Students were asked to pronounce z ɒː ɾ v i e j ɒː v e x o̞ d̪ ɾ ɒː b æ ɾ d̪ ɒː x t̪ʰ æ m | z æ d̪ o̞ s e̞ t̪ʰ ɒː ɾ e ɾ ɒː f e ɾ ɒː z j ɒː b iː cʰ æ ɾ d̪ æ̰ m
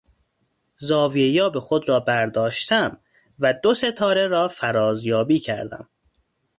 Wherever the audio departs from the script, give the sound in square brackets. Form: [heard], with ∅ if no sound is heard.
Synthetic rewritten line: z ɒː [∅] v i e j ɒː [b] e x o̞ d̪ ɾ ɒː b æ ɾ d̪ ɒː [ʃ] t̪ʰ æ m | [v] æ d̪ o̞ s e̞ t̪ʰ ɒː ɾ e ɾ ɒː f [æ] ɾ ɒː z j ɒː b iː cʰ æ ɾ d̪ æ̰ m